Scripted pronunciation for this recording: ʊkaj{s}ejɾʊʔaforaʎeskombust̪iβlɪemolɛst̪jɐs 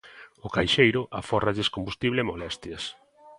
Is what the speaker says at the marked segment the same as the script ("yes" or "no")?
no